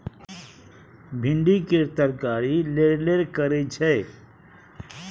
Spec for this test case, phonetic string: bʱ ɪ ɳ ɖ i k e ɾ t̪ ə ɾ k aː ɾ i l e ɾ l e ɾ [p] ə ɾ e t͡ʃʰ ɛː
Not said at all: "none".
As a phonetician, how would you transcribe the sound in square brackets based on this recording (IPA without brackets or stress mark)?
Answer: k